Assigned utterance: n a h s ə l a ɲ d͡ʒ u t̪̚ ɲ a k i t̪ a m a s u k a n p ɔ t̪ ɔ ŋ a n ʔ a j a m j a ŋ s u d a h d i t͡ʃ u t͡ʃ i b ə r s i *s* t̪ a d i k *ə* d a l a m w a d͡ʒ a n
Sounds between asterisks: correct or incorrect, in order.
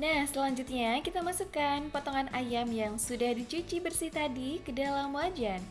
incorrect: h, correct

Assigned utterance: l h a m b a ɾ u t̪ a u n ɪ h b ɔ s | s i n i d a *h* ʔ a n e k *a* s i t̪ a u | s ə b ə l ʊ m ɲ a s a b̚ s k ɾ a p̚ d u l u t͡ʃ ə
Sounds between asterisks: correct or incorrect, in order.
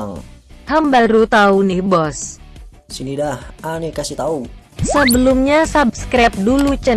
correct, correct

